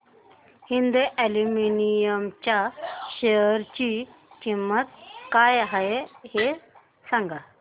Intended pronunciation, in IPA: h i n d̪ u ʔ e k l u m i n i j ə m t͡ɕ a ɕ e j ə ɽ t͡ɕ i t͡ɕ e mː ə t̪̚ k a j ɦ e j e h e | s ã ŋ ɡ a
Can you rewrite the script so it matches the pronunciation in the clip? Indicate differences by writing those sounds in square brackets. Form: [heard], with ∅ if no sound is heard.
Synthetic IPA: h i n d̪ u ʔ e [∅] l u m i n i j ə m t͡ɕ a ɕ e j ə [ɾ] t͡ɕ i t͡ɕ [i] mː ə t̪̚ k a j ɦ [a] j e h e | s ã ŋ ɡ a